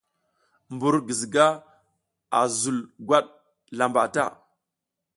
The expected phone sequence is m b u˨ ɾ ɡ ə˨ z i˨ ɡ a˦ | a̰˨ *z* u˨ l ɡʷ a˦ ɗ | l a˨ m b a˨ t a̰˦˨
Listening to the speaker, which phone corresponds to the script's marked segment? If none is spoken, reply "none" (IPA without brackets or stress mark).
z